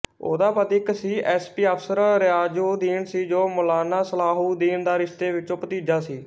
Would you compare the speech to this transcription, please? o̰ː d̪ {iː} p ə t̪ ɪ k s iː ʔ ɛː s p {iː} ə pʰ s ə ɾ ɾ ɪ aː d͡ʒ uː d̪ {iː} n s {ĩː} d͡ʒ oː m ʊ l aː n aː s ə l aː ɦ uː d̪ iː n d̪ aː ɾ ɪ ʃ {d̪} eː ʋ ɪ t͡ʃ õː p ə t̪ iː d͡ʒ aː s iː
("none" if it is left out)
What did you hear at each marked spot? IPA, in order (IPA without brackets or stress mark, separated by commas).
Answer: aː, iː, iː, iː, t̪